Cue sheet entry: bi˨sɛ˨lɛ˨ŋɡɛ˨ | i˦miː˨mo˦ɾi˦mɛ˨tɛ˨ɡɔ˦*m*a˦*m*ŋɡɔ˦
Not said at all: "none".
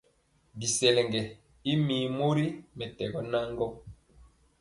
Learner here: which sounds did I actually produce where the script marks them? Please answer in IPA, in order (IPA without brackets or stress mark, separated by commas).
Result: n, none